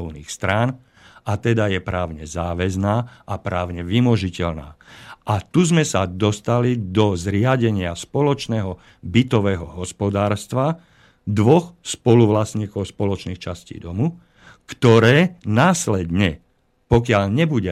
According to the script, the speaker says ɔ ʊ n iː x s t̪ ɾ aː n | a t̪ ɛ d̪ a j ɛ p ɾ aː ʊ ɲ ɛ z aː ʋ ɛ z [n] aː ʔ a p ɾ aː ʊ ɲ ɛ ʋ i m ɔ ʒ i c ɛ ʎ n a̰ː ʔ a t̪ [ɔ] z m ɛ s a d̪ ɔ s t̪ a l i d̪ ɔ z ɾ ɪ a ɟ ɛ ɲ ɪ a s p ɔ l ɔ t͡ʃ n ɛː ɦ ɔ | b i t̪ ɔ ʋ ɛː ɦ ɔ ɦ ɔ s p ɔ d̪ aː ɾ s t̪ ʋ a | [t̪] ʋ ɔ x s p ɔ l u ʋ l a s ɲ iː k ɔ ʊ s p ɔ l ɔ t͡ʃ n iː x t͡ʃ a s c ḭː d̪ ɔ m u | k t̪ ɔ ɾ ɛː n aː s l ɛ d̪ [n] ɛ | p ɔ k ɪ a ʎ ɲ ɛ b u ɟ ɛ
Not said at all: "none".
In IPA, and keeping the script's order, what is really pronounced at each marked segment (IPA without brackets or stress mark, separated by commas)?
n, u, d̪, ɲ